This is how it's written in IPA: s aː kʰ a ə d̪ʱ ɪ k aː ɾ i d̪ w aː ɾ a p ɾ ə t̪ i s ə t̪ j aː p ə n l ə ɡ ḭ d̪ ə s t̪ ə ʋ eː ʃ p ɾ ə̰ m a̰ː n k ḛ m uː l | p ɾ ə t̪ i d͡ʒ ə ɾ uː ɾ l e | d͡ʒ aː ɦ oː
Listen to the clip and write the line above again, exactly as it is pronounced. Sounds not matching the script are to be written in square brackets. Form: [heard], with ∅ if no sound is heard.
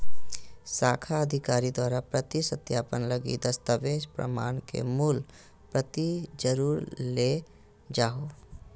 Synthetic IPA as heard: s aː kʰ a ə d̪ʱ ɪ k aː ɾ i d̪ w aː ɾ a p ɾ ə t̪ i s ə t̪ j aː p ə n l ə ɡ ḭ d̪ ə s t̪ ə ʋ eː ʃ p ɾ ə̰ m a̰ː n k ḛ m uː l | p ɾ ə t̪ i d͡ʒ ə ɾ uː ɾ l e | d͡ʒ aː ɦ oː